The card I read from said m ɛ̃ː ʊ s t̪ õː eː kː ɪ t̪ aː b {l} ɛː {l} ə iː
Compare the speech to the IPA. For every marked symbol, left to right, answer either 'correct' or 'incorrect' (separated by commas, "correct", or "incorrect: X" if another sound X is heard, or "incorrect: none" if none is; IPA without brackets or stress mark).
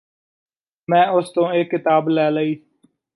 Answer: correct, correct